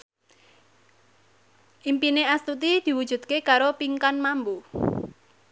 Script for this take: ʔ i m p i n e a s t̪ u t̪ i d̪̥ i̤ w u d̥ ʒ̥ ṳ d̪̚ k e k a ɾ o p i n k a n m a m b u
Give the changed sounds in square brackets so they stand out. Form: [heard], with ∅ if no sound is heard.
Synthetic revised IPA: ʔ i m p i n e a s t̪ u t̪ i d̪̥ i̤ w u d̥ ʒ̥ ṳ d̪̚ k e k a ɾ o p i [ŋ] k a n m a m b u